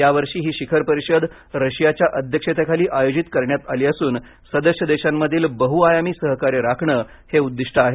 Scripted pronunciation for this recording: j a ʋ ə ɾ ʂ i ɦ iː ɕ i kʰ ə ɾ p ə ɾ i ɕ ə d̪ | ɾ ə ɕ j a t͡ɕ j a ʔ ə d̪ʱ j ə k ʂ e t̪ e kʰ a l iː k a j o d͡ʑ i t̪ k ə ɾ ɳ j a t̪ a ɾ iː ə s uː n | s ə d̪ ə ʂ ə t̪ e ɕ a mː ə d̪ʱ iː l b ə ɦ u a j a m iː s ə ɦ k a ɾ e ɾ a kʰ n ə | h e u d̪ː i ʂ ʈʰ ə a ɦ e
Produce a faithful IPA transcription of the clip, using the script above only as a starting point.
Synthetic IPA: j a ʋ ə ɾ ʂ iː ɦ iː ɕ i kʰ ə ɾ p ə ɾ i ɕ ə d̪ | ɾ ə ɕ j a t͡ɕ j a ʔ ə d̪ʱ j ə k ʂ e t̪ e kʰ a l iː ʔ a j o d͡ʑ i t̪ k ə ɾ ɳ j a t̪ a l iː ə s uː n | s ə d̪ ə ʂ ə d̪ e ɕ a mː ə d̪ʱ iː l b ə ɦ u a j a m iː s ə ɦ k a ɾ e ɾ a kʰ ɳ ə | h e u d̪ː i ʂ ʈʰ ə a ɦ e